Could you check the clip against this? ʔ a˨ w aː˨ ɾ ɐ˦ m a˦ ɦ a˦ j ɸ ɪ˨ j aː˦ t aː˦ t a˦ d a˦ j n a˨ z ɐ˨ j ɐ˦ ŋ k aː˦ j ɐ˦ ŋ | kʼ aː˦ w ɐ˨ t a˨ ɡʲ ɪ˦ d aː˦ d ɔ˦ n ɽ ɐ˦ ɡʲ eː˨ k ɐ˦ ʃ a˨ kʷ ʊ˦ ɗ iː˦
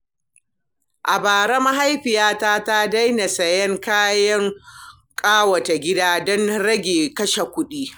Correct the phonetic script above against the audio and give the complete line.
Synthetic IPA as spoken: ʔ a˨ b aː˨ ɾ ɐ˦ m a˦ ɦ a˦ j ɸ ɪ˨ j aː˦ t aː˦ t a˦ d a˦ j n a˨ s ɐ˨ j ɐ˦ ŋ k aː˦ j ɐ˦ ŋ | kʼ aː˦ w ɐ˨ t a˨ ɡʲ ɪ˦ d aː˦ d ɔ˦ n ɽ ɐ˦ ɡʲ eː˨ k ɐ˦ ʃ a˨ kʷ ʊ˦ ɗ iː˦